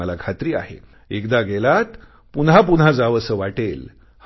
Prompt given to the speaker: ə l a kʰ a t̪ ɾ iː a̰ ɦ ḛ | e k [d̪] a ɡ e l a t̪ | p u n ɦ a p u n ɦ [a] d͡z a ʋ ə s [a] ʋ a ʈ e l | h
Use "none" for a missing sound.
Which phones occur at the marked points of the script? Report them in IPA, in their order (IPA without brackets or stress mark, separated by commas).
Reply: d̪, a, ə